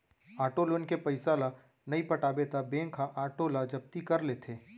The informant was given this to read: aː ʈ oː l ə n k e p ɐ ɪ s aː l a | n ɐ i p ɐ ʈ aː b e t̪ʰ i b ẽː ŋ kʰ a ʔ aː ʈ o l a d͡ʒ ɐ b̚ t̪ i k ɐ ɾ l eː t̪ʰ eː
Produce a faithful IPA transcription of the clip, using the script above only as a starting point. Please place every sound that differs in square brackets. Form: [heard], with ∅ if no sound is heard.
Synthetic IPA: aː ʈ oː l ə n k e p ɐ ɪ s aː l a | n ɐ i p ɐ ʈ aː b e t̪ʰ [a] b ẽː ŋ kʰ a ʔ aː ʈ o l a d͡ʒ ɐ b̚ t̪ i k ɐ ɾ l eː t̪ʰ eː